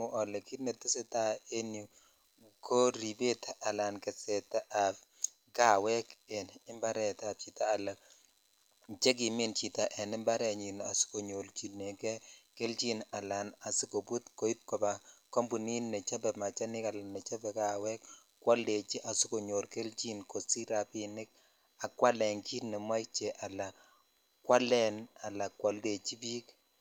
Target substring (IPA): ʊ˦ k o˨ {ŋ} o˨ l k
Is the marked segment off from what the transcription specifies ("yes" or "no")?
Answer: yes